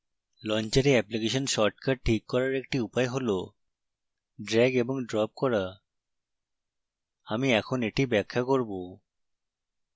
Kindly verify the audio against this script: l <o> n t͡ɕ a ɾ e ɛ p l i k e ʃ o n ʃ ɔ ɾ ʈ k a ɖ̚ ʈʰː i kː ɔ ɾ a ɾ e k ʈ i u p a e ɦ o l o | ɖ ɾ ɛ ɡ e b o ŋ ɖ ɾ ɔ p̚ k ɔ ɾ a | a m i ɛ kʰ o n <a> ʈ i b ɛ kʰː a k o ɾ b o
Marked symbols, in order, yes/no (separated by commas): no, no